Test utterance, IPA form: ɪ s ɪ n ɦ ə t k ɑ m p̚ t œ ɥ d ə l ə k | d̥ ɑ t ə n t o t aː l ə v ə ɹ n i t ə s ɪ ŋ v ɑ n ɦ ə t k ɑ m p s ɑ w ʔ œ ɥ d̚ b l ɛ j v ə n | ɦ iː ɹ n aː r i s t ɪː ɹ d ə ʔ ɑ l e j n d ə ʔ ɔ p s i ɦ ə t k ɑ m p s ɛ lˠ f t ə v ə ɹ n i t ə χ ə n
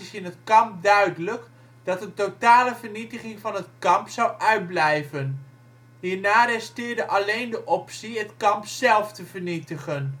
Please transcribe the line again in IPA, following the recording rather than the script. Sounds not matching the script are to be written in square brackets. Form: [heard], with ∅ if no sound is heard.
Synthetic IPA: ɪ s ɪ n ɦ ə t k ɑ m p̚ [d] œ ɥ d ə l ə k | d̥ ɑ t ə n t o t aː l ə v ə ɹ n i t ə [χ] ɪ ŋ v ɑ n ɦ ə t k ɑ m p s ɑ w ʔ œ ɥ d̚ b l ɛ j v ə n | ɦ iː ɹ n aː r [ɛ] s t ɪː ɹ d ə ʔ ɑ l e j n d ə ʔ ɔ p s i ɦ ə t k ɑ m p s ɛ lˠ f t ə v ə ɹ n i t ə χ ə n